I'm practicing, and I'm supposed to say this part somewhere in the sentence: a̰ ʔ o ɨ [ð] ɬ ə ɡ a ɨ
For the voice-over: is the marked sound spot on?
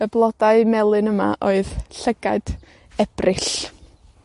yes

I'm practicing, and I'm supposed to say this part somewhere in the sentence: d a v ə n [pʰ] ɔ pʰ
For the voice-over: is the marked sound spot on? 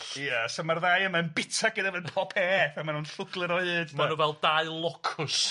yes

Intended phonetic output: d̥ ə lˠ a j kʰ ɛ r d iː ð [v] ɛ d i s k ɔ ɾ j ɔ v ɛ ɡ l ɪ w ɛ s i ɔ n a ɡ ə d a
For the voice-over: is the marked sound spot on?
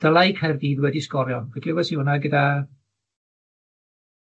no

